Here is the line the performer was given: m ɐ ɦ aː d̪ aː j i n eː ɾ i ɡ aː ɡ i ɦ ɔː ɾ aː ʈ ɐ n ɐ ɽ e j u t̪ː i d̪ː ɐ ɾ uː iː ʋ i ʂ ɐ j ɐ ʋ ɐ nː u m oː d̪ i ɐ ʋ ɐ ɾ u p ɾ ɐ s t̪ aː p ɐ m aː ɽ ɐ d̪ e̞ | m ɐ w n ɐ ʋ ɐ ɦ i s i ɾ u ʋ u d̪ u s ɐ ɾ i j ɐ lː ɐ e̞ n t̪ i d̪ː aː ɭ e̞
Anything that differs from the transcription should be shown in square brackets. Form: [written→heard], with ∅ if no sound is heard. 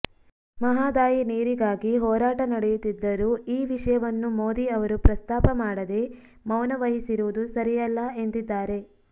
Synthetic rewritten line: m ɐ ɦ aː d̪ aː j i n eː ɾ i ɡ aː ɡ i ɦ ɔː ɾ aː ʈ ɐ n ɐ ɽ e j u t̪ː i d̪ː ɐ ɾ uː iː ʋ i ʂ ɐ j ɐ ʋ ɐ nː u m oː d̪ i ɐ ʋ ɐ ɾ u p ɾ ɐ s t̪ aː p ɐ m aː ɽ ɐ d̪ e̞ | m ɐ w n ɐ ʋ ɐ ɦ i s i ɾ u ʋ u d̪ u s ɐ ɾ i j ɐ lː ɐ e̞ n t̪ i d̪ː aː [ɭ→ɾ] e̞